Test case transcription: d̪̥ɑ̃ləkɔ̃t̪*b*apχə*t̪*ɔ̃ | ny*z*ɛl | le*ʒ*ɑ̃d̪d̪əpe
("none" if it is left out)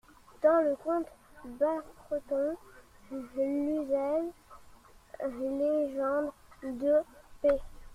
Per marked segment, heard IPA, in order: b, t̪, z, ʒ

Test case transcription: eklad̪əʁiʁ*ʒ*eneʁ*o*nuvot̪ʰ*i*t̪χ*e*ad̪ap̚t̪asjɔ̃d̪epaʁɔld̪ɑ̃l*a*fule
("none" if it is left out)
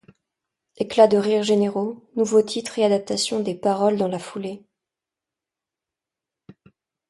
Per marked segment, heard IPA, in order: ʒ, o, i, e, a

